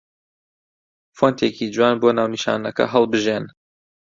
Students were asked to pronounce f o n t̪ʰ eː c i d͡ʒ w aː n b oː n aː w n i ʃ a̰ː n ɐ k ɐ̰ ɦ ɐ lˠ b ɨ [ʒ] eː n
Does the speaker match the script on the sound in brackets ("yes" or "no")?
yes